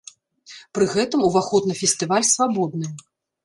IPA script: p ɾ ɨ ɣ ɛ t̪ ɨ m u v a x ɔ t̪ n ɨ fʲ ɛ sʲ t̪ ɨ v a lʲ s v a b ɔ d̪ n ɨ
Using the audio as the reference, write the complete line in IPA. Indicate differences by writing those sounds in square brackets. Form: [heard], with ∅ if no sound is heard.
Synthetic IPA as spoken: p ɾ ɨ ɣ ɛ t̪ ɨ m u v a x ɔ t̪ n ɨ fʲ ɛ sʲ t̪ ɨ v a lʲ s v a b ɔ d̪ n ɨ

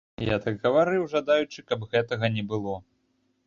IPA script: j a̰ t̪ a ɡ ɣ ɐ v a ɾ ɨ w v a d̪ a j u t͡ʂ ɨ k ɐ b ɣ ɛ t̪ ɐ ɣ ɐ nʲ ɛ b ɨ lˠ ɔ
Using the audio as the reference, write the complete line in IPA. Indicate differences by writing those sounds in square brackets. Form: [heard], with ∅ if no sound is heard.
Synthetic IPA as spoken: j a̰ t̪ a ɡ ɣ ɐ v a ɾ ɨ w [ʐ] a d̪ a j u t͡ʂ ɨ k ɐ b ɣ ɛ t̪ ɐ ɣ ɐ nʲ ɛ b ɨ lˠ ɔ

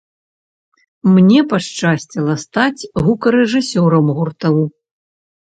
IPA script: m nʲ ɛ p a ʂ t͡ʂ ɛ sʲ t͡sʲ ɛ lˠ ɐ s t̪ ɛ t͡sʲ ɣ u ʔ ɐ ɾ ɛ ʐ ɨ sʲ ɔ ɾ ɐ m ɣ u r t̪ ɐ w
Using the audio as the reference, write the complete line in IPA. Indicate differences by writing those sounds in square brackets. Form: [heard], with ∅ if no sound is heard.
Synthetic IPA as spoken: m nʲ ɛ p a ʂ t͡ʂ [a] sʲ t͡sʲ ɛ lˠ ɐ s t̪ [a] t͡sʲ ɣ u [k] ɐ ɾ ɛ ʐ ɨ sʲ ɔ ɾ ɐ m ɣ u r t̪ ɐ w

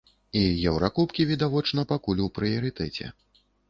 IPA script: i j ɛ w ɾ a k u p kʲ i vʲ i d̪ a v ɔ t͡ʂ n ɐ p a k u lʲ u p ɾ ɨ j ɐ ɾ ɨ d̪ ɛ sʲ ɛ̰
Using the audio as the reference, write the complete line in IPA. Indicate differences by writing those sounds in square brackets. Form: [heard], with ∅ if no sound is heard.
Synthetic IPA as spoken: i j ɛ w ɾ a k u p kʲ i vʲ i d̪ a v ɔ t͡ʂ n ɐ p a k u lʲ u p ɾ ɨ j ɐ ɾ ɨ [t̪] ɛ [t͡sʲ] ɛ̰

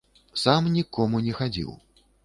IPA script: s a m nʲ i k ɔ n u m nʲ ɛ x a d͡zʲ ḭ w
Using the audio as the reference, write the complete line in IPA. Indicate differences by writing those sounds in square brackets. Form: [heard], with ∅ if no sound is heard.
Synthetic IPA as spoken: s a m nʲ i k ɔ [m] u [∅] nʲ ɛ x a d͡zʲ ḭ w

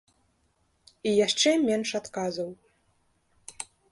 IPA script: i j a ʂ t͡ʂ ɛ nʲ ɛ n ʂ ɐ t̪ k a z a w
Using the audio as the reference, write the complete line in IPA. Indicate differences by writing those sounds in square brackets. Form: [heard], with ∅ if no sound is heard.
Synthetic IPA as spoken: i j a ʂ t͡ʂ ɛ [mʲ] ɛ n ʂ [a] t̪ k a z [ɐ] w

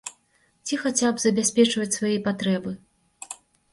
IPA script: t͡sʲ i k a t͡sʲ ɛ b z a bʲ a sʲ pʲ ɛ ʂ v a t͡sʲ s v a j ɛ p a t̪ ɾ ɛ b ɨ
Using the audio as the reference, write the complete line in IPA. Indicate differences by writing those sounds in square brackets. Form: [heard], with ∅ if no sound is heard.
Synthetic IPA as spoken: t͡sʲ i [x] a t͡sʲ [a] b z [ɐ] bʲ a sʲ pʲ ɛ [t͡ʂ] v [ɐ] t͡sʲ s v a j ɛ p a t̪ ɾ ɛ b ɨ

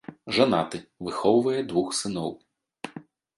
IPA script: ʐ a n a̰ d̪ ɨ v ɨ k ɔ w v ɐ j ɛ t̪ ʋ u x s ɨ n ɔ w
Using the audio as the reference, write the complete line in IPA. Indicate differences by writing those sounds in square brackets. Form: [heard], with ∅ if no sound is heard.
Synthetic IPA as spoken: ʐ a n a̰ [t̪] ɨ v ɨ [x] ɔ w v ɐ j ɛ [d̪] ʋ u x s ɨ n ɔ w

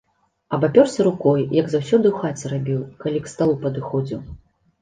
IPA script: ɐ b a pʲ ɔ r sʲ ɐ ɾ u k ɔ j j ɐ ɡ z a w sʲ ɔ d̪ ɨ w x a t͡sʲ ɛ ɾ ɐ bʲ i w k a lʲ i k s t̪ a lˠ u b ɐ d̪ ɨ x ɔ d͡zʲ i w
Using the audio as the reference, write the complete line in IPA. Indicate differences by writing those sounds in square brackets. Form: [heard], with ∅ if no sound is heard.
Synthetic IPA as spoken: ɐ b a pʲ ɔ r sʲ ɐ ɾ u k ɔ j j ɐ ɡ z a w sʲ ɔ d̪ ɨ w x a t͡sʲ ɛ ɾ [a] bʲ i w k a lʲ i k s t̪ a lˠ u [p] ɐ d̪ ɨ x ɔ d͡zʲ i w

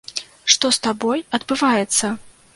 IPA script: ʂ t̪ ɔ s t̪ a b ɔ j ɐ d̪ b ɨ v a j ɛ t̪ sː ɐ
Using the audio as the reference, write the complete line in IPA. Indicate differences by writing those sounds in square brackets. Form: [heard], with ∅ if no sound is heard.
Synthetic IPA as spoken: ʂ t̪ ɔ s t̪ a b ɔ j ɐ d̪ b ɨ v a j ɛ t̪ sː ɐ

